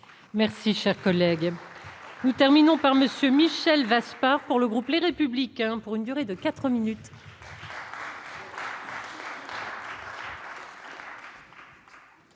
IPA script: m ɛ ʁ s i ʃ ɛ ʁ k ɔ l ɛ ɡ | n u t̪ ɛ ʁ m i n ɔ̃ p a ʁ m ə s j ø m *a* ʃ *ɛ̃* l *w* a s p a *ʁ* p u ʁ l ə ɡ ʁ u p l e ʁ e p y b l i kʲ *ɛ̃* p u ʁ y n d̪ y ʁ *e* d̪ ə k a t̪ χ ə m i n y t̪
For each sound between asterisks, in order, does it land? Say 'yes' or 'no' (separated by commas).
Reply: no, no, no, yes, yes, yes